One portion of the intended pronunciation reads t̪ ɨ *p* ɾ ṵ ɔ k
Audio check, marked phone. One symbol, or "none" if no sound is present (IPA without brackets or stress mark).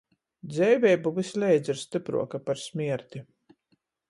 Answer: p